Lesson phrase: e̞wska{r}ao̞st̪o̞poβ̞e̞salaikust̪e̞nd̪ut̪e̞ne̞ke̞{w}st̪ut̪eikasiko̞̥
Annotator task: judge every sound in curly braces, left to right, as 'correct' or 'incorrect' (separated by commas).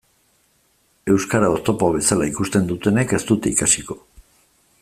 incorrect, incorrect